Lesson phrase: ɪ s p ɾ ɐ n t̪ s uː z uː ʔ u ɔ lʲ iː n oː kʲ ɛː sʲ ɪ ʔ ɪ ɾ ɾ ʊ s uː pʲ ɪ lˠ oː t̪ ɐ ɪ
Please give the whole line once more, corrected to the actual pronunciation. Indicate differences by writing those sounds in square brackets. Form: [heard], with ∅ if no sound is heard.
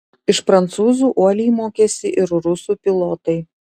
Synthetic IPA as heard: ɪ [ʃ] p ɾ ɐ n t̪ s uː z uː ʔ u ɔ lʲ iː [m] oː kʲ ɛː sʲ ɪ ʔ ɪ ɾ ɾ ʊ s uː pʲ ɪ lˠ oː t̪ ɐ ɪ